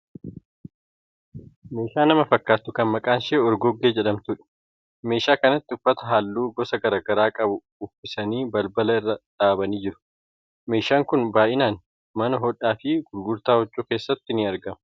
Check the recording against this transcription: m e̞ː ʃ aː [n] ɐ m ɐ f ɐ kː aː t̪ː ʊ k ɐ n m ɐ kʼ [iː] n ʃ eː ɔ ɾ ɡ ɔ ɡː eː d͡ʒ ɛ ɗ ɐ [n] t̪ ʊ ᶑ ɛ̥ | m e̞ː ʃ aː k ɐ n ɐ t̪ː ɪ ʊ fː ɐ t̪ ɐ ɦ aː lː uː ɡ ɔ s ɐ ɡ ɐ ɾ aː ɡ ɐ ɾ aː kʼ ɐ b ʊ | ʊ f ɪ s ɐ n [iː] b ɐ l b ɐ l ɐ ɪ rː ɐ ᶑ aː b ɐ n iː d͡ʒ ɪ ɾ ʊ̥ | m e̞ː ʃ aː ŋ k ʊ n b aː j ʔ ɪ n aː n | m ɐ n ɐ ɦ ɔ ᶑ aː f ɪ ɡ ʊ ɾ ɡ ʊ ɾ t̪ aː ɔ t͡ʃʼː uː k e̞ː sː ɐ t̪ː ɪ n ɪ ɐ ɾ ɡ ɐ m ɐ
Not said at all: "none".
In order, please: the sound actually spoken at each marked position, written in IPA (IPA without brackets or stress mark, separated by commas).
n, aː, m, iː